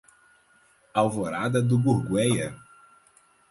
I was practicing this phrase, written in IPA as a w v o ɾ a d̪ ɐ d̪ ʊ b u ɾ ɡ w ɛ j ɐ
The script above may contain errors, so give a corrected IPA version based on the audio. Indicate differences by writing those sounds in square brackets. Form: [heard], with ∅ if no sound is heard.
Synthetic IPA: a w v o ɾ a d̪ ɐ d̪ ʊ b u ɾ ɡ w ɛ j ɐ